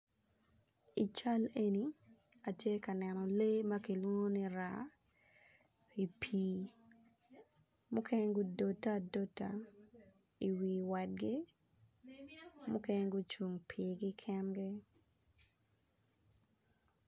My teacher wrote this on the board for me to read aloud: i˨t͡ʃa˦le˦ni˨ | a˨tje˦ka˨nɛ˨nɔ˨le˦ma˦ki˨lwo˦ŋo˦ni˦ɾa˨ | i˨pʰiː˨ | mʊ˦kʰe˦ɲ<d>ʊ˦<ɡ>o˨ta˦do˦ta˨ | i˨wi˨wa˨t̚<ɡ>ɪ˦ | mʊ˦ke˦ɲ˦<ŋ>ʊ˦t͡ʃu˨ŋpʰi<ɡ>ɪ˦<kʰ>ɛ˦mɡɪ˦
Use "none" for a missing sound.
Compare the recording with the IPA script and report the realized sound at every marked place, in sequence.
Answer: ɡ, d, ɡ, ɡ, ɡ, kʰ

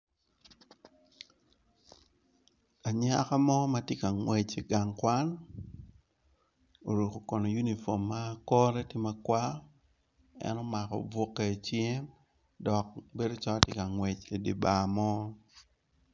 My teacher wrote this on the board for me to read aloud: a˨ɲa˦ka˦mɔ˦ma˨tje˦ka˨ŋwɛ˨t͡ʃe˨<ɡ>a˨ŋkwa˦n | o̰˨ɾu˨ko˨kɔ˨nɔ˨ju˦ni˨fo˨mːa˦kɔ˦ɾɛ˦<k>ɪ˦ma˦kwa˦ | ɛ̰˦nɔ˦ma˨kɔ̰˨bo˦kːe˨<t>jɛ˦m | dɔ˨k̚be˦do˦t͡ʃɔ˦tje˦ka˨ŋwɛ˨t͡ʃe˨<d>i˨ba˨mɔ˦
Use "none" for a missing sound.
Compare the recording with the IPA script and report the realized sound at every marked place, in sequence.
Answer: ɡ, t, t͡ʃ, d

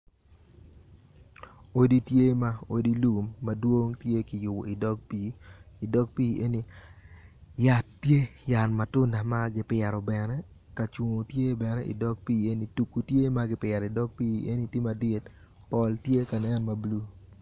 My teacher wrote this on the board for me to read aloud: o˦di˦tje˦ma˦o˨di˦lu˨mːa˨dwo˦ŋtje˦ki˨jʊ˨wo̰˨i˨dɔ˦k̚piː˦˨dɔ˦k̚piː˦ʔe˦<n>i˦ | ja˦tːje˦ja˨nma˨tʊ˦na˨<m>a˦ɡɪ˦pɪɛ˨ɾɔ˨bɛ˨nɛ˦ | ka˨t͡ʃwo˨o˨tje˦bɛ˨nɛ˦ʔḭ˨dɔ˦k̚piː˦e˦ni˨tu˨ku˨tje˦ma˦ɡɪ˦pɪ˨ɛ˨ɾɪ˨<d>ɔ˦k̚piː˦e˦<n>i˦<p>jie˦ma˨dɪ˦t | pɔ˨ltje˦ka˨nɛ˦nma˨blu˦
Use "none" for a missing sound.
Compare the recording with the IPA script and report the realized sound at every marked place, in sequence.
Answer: n, m, d, n, t

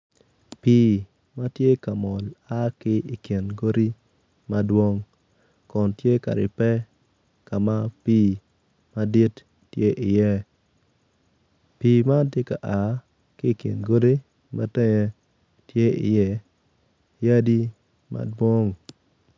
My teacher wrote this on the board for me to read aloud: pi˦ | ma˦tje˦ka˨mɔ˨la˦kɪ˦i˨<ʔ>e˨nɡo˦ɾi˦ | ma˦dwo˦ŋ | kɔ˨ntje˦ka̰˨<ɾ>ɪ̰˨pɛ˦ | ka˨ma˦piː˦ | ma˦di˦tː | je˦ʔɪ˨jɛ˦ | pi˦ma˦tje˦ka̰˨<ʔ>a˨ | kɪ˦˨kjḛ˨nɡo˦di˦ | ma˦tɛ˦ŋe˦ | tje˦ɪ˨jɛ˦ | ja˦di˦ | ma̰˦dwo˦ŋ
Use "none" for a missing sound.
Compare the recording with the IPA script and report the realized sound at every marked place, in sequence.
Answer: k, ɾ, ʔ

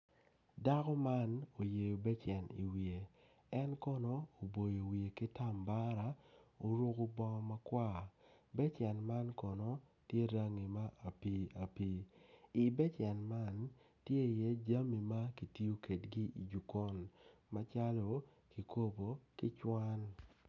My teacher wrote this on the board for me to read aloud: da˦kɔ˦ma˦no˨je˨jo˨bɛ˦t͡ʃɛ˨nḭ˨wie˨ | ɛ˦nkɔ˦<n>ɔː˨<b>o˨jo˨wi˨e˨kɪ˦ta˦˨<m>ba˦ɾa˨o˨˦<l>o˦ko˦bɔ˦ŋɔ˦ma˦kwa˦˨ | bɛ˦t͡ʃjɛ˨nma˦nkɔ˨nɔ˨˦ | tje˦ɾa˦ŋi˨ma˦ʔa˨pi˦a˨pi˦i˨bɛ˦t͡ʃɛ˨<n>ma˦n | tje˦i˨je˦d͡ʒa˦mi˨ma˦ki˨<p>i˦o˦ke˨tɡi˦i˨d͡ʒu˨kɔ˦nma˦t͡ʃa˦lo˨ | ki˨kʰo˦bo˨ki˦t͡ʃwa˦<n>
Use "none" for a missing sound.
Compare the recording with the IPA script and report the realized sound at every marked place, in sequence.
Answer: n, b, m, ɾ, n, t, n

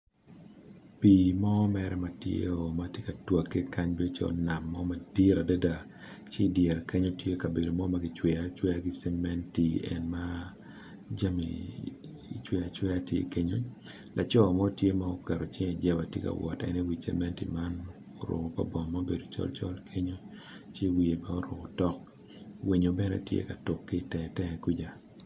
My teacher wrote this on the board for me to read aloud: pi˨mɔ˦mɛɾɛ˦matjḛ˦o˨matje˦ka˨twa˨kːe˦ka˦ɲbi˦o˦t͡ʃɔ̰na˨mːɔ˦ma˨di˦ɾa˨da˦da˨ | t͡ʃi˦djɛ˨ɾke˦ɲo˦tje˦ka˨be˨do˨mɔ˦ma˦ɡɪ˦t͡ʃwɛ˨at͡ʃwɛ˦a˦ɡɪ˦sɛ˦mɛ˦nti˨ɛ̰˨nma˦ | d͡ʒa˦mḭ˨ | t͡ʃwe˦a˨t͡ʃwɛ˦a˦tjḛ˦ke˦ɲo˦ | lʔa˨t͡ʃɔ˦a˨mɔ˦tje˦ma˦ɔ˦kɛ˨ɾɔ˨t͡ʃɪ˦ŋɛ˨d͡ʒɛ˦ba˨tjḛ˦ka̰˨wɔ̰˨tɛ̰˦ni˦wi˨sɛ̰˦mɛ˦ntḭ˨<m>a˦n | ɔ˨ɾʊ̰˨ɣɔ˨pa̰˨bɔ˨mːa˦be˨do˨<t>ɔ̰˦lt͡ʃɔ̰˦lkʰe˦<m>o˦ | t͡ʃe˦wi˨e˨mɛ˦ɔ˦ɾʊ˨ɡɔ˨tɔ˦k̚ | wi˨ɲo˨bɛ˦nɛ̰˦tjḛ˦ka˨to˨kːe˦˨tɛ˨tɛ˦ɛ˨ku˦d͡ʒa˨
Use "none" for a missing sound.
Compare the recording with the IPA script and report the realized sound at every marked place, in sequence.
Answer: m, t͡ʃ, ɲ

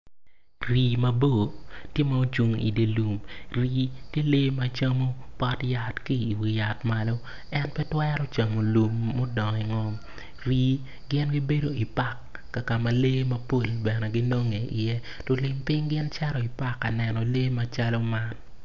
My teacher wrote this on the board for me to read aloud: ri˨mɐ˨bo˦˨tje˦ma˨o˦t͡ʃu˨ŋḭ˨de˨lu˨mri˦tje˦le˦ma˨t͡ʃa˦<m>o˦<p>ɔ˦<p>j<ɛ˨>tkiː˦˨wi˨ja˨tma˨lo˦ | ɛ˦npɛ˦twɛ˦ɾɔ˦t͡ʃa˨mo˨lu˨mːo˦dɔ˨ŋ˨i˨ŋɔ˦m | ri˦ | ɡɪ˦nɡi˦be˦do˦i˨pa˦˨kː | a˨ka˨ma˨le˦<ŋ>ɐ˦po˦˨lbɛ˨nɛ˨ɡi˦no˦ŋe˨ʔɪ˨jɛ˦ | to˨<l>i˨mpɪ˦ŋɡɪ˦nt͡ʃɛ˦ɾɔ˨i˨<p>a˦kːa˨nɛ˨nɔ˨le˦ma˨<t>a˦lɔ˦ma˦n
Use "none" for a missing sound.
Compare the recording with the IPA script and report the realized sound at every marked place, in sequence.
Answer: m, p, t, a˨, m, l, p, t͡ʃ

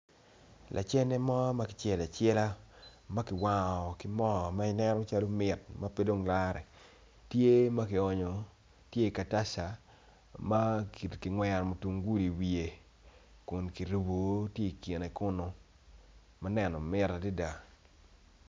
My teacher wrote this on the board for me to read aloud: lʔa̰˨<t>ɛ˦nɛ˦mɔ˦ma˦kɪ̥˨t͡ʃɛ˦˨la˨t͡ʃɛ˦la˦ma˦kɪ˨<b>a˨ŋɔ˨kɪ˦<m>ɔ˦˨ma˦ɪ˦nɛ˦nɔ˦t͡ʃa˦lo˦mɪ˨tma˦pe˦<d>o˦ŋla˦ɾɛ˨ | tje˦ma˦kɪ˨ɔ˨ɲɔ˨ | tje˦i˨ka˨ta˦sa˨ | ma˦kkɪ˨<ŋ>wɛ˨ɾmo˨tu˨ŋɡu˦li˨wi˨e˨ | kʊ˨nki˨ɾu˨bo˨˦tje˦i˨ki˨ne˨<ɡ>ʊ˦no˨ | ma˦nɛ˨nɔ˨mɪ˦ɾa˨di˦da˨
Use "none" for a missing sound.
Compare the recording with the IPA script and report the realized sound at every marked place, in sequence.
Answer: t͡ʃ, w, m, d, ŋ, k

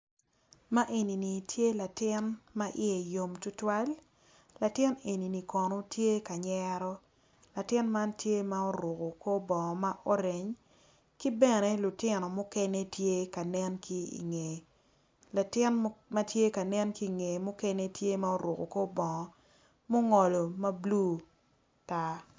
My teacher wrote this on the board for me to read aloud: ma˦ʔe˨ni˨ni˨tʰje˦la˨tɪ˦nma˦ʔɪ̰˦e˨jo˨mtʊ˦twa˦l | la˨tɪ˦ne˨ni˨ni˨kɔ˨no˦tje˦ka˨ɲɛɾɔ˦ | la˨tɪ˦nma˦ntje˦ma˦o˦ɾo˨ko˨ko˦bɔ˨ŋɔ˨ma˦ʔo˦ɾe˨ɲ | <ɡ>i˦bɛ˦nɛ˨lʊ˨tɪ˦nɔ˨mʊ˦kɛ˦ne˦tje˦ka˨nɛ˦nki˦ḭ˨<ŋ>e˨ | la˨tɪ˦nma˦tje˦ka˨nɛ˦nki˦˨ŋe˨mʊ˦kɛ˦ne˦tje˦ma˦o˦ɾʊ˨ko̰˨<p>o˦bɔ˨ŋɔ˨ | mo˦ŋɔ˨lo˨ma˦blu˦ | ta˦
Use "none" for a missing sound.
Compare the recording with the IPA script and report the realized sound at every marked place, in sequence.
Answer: k, ŋ, k

